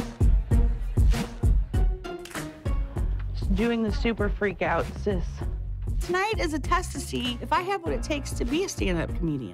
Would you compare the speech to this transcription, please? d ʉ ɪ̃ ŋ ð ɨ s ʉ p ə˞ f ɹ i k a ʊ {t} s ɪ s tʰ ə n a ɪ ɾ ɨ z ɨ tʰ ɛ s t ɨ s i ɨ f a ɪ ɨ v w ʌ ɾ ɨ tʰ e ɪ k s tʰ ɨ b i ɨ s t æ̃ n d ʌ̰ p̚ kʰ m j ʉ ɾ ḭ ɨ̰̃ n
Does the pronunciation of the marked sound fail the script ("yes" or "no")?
no